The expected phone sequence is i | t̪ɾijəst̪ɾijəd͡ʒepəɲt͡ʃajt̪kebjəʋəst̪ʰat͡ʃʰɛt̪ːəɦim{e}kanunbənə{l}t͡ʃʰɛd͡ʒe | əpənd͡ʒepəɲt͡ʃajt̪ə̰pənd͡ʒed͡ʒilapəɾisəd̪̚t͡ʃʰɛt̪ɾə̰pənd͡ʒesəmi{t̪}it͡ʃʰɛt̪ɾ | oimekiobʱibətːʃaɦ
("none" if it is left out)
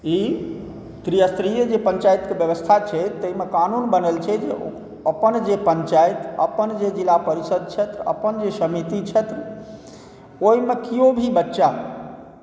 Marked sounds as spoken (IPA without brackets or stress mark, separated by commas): e, l, t̪